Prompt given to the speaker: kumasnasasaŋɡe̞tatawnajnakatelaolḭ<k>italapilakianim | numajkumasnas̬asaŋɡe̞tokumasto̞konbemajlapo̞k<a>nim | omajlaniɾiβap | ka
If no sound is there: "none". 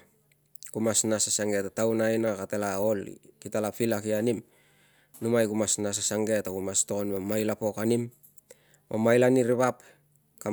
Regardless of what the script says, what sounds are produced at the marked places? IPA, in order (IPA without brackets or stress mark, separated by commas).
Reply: k, a